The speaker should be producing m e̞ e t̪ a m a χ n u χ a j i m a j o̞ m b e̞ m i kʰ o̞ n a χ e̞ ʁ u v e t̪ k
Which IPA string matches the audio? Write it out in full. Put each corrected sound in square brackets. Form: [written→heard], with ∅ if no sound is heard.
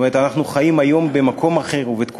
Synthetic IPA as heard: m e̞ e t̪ a [m→n] a χ n u χ a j i m a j o̞ m b e̞ m [i→a] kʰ o̞ [n→m] a χ e̞ ʁ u v e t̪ k